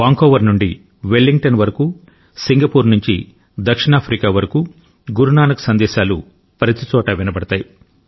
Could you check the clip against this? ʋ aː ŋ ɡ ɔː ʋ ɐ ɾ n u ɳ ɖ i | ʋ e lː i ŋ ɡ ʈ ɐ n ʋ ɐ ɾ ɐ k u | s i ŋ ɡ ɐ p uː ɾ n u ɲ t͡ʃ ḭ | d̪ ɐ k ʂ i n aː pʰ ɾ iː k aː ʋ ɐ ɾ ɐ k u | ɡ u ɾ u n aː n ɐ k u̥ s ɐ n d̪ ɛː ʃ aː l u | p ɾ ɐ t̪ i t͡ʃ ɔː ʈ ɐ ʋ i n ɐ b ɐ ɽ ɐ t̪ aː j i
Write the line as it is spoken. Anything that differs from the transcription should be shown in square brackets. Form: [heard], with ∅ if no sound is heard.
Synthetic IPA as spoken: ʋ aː ŋ [k] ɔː ʋ ɐ ɾ n u ɳ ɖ i | ʋ e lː i ŋ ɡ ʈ ɐ n ʋ ɐ ɾ ɐ k u | s i ŋ ɡ ɐ p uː ɾ n u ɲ t͡ʃ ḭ | d̪ ɐ k ʂ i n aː pʰ ɾ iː k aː ʋ ɐ ɾ ɐ k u | ɡ u ɾ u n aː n ɐ k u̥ s ɐ n d̪ ɛː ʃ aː l u | p ɾ ɐ t̪ i t͡ʃ ɔː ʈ ɐ ʋ i n ɐ b ɐ ɽ ɐ t̪ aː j i